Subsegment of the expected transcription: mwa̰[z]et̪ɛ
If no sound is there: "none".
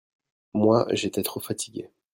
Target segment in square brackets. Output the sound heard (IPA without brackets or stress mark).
ʒ